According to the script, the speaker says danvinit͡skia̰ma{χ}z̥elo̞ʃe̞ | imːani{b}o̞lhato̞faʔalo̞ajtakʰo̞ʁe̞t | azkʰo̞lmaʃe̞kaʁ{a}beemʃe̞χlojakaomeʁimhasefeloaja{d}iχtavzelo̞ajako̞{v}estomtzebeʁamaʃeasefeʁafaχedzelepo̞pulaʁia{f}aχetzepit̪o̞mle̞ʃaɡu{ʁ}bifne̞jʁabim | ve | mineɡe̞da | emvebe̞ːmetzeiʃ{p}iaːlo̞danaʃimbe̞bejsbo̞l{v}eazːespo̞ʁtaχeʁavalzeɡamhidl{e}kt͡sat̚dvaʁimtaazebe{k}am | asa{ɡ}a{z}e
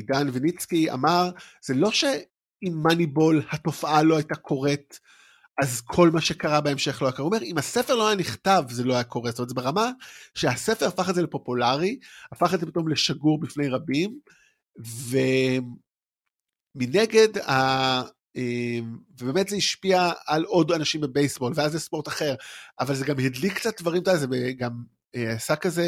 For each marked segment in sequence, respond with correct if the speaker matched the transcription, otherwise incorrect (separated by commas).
incorrect, correct, correct, incorrect, incorrect, correct, correct, correct, correct, incorrect, incorrect, incorrect, correct